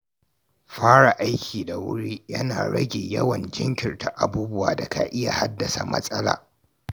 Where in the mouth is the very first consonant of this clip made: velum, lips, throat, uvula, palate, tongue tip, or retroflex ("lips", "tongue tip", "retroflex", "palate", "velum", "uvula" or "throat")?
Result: lips